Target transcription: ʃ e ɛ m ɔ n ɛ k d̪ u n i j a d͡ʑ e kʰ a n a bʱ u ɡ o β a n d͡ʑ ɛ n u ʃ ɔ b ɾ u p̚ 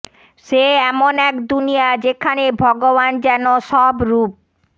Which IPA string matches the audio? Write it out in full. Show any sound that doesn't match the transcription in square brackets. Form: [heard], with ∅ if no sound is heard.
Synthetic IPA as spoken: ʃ e ɛ m [o] n ɛ k d̪ u n i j a d͡ʑ e kʰ a n [e] bʱ [ɔ] ɡ o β a n d͡ʑ ɛ n [o] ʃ ɔ b ɾ u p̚